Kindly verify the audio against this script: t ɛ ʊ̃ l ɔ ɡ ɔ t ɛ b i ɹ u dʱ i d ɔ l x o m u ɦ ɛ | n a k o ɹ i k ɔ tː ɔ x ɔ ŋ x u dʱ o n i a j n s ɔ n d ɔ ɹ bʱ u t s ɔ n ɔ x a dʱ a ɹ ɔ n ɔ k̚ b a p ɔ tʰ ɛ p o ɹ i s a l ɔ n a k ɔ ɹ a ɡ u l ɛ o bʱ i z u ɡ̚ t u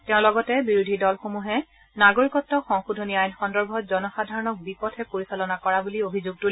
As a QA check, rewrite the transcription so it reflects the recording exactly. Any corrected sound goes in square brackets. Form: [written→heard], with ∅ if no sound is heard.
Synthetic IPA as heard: t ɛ ʊ̃ l ɔ ɡ ɔ t ɛ b i ɹ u dʱ i d ɔ l x o m u ɦ ɛ | n a [k→ɡ] o ɹ i k ɔ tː ɔ x ɔ ŋ x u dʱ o n i a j n [s→x] ɔ n d ɔ ɹ bʱ [u→ɔ] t [s→z] ɔ n ɔ x a dʱ a ɹ ɔ n ɔ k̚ b [a→i] p ɔ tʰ ɛ p o ɹ i s a l ɔ n a k ɔ ɹ a [ɡ→b] u l [ɛ→i] o bʱ i z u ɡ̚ t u